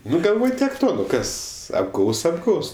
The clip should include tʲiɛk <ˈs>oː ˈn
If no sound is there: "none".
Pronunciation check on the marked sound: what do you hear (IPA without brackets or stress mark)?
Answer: t